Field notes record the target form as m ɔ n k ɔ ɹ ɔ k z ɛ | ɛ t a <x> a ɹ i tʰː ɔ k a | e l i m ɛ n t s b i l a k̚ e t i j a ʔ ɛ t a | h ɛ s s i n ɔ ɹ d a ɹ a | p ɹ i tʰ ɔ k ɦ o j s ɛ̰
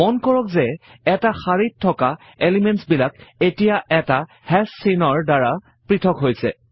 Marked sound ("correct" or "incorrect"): correct